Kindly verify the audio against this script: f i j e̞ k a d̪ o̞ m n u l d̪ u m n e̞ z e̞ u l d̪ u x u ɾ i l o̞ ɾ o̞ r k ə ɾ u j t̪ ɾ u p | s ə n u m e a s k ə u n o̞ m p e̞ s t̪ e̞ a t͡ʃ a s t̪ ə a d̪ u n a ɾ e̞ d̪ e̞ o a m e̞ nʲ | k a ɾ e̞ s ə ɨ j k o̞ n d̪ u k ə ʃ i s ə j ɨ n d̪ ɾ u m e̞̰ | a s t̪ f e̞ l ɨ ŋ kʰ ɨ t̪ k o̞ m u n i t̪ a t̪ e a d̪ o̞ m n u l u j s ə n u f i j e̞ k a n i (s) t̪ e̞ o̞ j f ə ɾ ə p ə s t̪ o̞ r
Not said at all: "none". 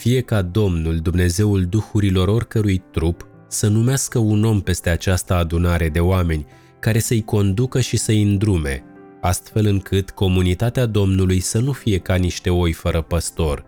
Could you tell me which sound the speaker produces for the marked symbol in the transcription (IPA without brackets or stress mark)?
ʃ